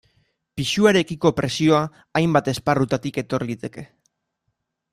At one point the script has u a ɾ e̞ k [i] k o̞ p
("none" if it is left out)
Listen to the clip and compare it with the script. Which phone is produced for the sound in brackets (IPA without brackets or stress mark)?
i